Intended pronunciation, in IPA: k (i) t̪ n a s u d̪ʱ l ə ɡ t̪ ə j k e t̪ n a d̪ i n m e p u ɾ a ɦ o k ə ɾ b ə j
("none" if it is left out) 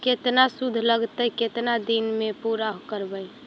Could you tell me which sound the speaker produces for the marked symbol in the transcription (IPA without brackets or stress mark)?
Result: e